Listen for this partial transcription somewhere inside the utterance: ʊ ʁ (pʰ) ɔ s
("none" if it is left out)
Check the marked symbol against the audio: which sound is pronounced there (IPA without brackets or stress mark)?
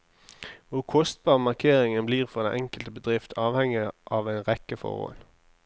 kʰ